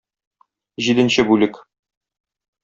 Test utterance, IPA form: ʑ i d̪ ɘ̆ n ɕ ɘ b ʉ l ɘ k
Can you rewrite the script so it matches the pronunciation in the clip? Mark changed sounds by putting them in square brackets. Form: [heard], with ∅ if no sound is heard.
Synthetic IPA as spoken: ʑ i d̪ ɘ̆ n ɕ ɘ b ʉ l ɘ k